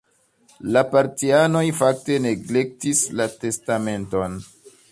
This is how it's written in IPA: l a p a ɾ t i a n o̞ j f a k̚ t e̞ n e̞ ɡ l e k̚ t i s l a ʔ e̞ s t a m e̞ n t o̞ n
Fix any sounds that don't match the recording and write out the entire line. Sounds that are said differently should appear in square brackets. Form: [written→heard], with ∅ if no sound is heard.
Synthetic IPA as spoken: l a p a ɾ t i a n o̞ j f a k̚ t e̞ n e̞ ɡ l e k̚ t i s l a [ʔ→t] e̞ s t a m e̞ n t o̞ n